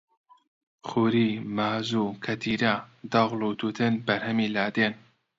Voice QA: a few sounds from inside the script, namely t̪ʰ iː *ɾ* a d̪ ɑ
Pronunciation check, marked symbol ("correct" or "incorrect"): correct